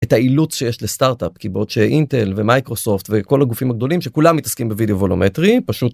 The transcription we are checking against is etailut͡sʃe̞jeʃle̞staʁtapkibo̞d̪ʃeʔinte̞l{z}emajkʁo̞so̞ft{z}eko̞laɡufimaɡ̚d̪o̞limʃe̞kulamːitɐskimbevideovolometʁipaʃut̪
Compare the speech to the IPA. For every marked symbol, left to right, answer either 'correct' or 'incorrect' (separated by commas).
incorrect, incorrect